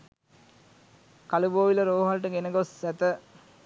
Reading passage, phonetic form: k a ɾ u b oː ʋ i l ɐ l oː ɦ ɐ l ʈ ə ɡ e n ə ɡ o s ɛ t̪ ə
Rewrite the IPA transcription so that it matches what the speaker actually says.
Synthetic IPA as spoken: k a l u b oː ʋ i l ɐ ɾ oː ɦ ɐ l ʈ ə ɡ e n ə ɡ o s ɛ t̪ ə

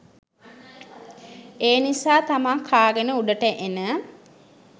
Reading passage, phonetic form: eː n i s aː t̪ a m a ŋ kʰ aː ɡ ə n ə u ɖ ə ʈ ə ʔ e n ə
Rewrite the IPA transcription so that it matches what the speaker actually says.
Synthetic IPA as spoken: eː n i s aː t̪ a m a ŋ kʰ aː ɡ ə n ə u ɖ ə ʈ ə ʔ e n ə

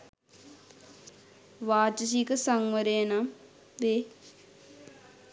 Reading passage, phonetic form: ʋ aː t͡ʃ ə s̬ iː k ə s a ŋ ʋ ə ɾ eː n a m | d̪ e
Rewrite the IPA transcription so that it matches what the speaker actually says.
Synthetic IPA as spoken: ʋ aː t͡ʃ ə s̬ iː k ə s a ŋ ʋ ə ɾ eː n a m | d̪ e

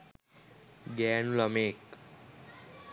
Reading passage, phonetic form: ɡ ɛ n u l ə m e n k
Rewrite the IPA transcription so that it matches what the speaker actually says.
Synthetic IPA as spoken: ɡ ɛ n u l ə m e k

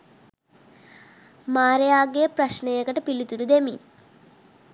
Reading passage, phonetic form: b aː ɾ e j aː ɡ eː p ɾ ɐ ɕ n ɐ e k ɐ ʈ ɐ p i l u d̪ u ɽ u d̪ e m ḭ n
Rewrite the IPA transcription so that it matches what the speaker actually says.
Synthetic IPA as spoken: m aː ɾ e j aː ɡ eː p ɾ ɐ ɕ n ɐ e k ɐ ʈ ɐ p i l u t̪ u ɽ u d̪ e m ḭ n

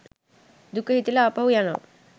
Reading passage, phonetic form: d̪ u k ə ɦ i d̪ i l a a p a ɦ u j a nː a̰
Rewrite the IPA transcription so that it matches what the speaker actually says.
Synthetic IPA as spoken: d̪ u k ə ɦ i t̪ i l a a p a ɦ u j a n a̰

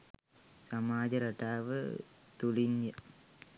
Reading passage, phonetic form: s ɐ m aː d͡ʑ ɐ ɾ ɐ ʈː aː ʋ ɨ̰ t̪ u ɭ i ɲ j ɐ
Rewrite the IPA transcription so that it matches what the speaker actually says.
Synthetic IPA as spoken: s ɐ m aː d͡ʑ ɐ ɾ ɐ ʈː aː ʋ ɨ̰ t̪ u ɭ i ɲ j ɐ

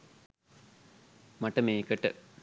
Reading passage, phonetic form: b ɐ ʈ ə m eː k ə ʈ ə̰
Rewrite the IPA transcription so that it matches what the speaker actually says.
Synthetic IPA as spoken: m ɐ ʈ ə m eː k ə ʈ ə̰

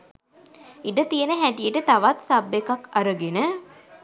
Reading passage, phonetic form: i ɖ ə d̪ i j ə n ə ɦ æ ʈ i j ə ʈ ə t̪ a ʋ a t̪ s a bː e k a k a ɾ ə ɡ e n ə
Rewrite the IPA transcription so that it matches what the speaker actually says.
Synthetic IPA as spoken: i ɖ ə t̪ i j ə n ə ɦ æ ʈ i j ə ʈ ə t̪ a ʋ a t̪ s a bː e k a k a ɾ ə ɡ e n ə

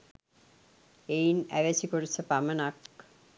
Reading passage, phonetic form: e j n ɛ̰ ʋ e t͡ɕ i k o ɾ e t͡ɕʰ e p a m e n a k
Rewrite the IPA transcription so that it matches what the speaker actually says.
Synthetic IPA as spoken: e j n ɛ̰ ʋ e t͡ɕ i k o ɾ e t͡ɕʰ e p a m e n a k

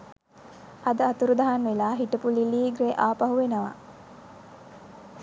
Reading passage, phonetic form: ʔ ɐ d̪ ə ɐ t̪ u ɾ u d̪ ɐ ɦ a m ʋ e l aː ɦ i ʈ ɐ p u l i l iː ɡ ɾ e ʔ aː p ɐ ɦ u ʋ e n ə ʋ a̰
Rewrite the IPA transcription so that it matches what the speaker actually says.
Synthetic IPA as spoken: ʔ ɐ d̪ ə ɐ t̪ u ɾ u d̪ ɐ ɦ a n ʋ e l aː ɦ i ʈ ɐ p u l i l iː ɡ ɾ e ʔ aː p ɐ ɦ u ʋ e n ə ʋ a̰

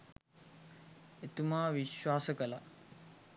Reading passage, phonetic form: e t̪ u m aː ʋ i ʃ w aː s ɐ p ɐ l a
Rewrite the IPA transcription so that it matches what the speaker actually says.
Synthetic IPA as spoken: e t̪ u m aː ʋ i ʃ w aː s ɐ k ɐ l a

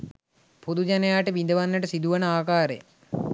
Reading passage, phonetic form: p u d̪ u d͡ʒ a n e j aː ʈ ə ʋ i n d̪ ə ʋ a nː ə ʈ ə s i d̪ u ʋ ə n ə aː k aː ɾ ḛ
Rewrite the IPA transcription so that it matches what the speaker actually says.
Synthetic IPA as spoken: p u d̪ u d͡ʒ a n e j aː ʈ ə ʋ i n d̪ ə ʋ a nː ə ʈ ə s i d̪ u ʋ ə n ə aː k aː ɾ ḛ

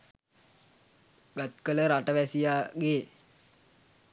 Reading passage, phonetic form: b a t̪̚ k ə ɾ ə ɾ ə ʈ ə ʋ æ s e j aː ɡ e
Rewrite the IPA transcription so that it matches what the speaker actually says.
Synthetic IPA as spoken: ɡ a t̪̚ k ə l ə ɾ a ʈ ə ʋ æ s i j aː ɡ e

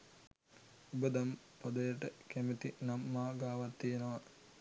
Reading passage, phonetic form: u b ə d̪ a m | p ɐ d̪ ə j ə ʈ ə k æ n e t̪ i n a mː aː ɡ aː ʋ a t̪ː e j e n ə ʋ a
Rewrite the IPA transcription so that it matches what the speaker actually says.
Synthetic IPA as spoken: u b ə d̪ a m | p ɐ d̪ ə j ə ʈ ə k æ m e t̪ i n a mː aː ɡ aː ʋ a t̪ː i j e n ə ʋ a

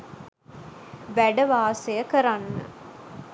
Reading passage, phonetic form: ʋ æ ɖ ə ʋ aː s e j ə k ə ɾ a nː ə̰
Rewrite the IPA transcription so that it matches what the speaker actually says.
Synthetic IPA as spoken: ʋ æ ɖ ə ʋ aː s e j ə k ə ɾ a nː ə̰

